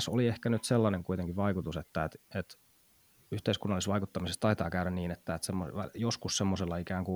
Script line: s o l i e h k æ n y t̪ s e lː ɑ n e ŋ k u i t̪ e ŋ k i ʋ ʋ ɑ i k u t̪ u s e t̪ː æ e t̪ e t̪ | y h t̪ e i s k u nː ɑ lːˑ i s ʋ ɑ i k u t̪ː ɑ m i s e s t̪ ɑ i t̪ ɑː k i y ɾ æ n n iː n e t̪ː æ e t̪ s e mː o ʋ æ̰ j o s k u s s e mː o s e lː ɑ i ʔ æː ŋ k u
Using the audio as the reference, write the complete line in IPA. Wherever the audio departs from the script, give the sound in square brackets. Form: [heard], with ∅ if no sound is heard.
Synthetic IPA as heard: s o l i e h k æ n y t̪ s e lː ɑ n e ŋ k u i t̪ e ŋ k i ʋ ʋ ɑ i k u t̪ u s e t̪ː æ e t̪ e t̪ | y h t̪ e i s k u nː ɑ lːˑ i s ʋ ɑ i k u t̪ː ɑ m i s e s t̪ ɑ i t̪ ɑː k [æ] y ɾ æ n n iː n e t̪ː æ e t̪ s e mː o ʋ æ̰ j o s k u s s e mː o s e lː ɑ i [k] æː ŋ k u